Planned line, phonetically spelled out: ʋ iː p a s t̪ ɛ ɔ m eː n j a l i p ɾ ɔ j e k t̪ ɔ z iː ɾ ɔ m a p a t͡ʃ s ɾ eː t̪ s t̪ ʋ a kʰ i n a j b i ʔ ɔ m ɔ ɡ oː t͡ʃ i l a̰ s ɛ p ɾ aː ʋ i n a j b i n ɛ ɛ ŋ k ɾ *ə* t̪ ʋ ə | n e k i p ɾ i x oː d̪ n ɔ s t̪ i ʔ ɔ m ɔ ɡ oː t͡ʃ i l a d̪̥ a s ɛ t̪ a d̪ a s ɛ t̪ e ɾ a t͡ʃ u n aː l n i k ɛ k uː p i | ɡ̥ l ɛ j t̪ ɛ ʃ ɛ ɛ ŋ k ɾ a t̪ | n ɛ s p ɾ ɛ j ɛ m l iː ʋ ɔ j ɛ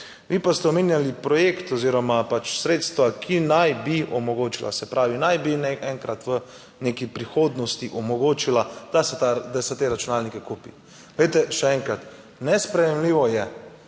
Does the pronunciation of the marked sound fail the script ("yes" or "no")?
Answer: yes